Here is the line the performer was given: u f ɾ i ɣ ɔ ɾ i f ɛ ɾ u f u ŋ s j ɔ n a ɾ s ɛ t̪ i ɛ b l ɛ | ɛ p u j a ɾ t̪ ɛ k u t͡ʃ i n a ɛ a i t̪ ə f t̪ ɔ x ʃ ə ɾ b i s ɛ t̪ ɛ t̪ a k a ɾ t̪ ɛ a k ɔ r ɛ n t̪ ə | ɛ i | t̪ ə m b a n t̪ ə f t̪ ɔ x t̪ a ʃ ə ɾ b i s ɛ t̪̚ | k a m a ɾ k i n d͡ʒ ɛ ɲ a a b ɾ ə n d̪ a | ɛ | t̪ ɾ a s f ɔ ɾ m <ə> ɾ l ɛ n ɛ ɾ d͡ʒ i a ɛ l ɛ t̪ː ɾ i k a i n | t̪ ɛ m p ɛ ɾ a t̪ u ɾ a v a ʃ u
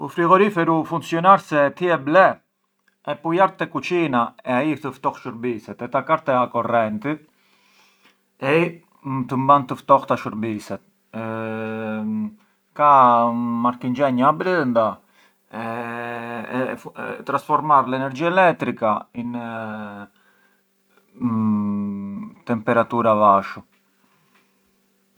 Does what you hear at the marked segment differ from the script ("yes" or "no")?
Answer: yes